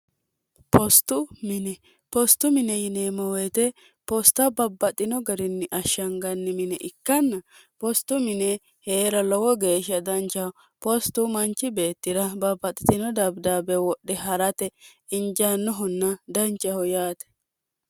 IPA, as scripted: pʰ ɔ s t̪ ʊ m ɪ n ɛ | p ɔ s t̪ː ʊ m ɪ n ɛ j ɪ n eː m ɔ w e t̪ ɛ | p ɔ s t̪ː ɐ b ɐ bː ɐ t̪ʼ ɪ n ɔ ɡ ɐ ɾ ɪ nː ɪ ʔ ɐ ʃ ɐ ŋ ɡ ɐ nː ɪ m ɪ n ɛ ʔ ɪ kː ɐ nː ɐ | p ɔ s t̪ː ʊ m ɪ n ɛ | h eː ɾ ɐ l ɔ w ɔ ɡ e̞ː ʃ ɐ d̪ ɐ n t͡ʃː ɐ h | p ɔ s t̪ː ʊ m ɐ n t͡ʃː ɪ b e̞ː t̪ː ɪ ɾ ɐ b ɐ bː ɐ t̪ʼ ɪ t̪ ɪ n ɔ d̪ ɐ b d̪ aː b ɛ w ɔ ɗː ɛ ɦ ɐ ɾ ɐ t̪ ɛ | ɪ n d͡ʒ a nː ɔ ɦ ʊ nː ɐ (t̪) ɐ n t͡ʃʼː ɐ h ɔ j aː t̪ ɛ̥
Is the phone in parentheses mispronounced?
yes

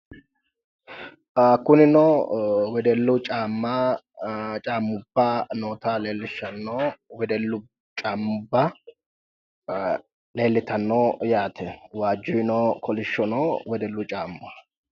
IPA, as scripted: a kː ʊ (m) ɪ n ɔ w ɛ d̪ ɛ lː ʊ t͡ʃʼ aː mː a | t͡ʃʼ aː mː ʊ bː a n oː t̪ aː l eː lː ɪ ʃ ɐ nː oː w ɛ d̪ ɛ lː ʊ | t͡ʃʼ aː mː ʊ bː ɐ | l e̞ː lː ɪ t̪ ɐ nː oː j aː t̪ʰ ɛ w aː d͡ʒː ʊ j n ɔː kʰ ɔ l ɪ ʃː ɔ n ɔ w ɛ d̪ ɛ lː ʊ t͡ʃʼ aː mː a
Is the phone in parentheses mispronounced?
yes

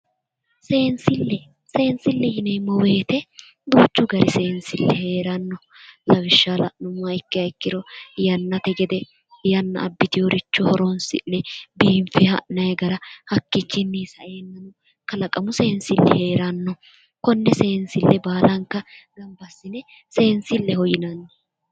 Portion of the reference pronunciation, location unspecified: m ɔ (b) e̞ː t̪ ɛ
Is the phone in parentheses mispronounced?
yes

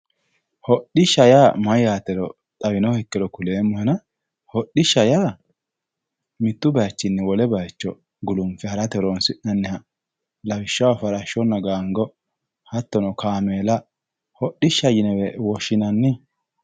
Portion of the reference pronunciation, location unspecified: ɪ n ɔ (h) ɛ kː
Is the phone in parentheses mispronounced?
no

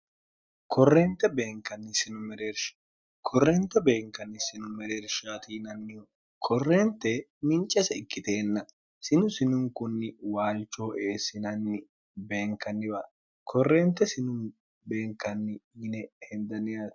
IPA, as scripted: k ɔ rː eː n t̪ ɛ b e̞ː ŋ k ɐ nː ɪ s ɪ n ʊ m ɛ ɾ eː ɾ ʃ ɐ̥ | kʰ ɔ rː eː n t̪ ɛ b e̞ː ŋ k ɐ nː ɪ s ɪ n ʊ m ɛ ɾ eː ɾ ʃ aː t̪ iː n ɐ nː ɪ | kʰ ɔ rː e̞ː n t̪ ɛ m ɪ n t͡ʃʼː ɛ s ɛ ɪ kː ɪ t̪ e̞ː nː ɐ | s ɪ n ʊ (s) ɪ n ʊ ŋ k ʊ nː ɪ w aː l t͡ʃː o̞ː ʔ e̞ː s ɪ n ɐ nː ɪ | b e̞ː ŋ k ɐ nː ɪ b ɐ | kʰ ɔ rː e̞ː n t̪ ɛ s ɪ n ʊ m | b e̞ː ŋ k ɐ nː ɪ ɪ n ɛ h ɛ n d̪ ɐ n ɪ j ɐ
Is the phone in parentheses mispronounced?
no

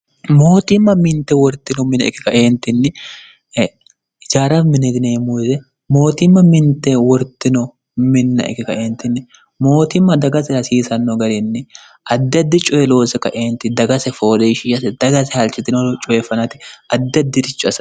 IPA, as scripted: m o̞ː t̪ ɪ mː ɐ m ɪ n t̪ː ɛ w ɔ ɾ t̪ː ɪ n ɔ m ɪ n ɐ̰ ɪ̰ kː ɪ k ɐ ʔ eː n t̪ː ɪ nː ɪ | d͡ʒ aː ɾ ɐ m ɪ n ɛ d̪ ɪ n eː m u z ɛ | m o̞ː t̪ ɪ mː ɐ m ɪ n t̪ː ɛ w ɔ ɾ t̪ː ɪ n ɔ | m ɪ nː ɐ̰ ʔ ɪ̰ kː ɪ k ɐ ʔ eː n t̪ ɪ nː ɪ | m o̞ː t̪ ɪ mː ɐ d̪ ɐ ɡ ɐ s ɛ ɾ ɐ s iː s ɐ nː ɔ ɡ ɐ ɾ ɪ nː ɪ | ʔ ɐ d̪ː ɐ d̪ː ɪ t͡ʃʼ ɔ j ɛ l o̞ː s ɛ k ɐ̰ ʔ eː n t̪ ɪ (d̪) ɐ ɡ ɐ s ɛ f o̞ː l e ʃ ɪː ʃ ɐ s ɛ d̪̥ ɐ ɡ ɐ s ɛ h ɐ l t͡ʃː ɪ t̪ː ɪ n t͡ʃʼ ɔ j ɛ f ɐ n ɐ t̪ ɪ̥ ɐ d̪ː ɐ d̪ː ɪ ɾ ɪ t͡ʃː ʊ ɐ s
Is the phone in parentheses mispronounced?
no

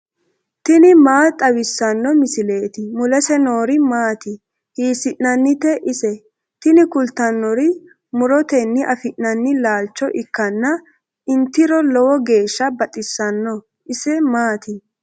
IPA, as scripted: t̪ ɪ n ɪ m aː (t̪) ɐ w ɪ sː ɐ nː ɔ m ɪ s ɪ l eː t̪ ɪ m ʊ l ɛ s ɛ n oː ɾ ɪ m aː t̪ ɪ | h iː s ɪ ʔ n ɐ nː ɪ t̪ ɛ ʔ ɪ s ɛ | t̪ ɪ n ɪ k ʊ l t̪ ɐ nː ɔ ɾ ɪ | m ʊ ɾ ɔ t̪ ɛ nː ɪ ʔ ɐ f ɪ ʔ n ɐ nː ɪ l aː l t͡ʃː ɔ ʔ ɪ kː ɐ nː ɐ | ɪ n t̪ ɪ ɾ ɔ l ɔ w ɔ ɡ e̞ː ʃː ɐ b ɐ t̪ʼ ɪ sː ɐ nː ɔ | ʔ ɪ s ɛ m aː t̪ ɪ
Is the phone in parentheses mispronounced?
yes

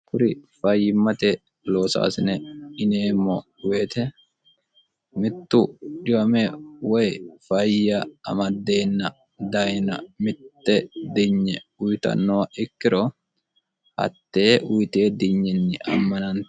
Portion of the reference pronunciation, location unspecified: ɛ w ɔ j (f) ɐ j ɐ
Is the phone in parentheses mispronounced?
no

